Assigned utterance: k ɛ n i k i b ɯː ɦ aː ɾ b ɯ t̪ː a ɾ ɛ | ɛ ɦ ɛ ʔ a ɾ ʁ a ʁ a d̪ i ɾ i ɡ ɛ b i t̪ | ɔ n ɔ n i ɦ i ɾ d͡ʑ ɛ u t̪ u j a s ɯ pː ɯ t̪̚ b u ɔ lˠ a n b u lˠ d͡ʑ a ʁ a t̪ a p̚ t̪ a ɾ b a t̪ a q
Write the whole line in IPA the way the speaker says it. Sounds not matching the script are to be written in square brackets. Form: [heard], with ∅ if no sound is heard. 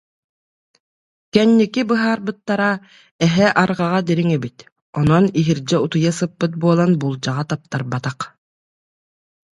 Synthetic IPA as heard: k ɛ [nː] i k i b [ɯ] ɦ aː ɾ b ɯ t̪ː a ɾ [a] | ɛ ɦ ɛ ʔ a ɾ ʁ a ʁ a d̪ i ɾ i [ŋ] ɛ b i t̪ | ɔ n ɔ n i ɦ i ɾ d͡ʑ ɛ u t̪ u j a s ɯ pː ɯ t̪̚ b u ɔ lˠ a n b u lˠ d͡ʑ a ʁ a t̪ a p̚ t̪ a ɾ b a t̪ a q